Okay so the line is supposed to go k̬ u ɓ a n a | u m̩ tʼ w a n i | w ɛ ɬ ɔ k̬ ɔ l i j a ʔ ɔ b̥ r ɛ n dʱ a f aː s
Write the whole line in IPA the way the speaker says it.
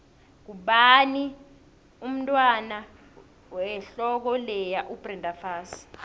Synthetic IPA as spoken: k̬ u ɓ a n i | u m̩ tʼ w a n a | w ɛ ɬ ɔ k̬ ɔ l ɛ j a ʔ u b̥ r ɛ n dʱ a f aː s

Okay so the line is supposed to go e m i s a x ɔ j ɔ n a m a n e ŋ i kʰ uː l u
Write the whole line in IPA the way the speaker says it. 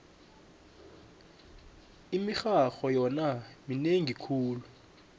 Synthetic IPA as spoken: i m i x a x ɔ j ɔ n a m i n e ŋ i kʰ uː l u

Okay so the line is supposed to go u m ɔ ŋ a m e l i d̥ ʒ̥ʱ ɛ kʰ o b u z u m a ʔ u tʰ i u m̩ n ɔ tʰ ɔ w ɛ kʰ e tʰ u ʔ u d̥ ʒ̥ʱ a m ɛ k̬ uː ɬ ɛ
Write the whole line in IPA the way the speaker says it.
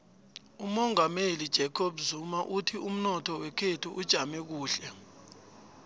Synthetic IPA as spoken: u m ɔ ŋ a m e l i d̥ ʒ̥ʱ ɛ kʰ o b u z u m a ʔ u tʰ i u m̩ n ɔ tʰ ɔ w ɛ kʰ e tʰ u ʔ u d̥ ʒ̥ʱ a m ɛ k̬ uː ɬ ɛ

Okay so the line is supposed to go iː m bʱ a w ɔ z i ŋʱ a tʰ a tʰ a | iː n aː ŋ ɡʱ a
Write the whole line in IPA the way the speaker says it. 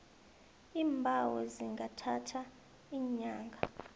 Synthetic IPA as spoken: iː m bʱ a w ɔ z i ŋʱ a tʰ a tʰ a | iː ɲ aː ŋ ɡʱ a

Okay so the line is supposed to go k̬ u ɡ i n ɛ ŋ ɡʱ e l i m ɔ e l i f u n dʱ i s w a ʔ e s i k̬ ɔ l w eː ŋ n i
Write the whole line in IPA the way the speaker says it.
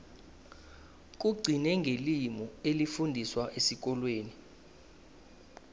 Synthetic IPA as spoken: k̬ u ɡ͡ǀʱ i n ɛ ŋ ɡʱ e l i m ɔ e l i f u n dʱ i s w a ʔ e s i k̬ ɔ l w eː n i

